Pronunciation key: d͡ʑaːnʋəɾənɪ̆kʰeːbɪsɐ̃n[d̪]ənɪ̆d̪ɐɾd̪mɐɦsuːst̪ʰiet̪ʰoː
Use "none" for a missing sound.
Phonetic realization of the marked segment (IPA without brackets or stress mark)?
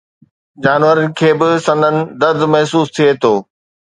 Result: d̪